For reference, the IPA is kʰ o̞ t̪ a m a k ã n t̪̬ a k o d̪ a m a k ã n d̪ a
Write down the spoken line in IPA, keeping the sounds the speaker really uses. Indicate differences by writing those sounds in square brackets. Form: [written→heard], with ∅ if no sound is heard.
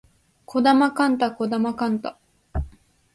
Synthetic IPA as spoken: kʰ o̞ [t̪→d̪] a m a k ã n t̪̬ a k o d̪ a m a k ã n [d̪→t̪] a